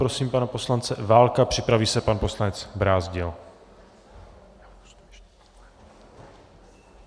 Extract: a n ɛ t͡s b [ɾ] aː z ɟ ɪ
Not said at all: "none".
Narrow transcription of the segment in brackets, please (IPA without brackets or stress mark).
ɾ